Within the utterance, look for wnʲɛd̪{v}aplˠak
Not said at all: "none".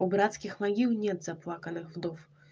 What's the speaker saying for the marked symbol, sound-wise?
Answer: z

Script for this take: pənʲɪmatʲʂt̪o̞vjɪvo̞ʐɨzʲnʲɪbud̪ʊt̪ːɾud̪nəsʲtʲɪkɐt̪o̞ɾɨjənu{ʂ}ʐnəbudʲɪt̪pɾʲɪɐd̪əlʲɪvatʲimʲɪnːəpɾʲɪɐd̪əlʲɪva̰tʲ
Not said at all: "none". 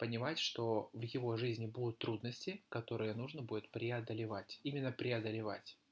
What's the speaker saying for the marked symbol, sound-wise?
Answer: none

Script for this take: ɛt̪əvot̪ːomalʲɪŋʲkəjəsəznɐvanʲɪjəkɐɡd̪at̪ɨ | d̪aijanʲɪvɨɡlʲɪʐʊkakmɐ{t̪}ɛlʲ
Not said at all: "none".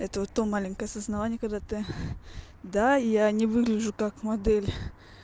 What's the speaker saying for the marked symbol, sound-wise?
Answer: d̪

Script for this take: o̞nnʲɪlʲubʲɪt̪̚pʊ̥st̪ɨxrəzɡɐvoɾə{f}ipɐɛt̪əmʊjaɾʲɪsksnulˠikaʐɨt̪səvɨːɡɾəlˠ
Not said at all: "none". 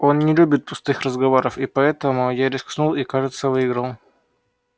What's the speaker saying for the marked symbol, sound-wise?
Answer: f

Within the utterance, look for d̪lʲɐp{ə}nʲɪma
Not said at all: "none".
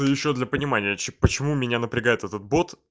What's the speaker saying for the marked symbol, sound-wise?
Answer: ə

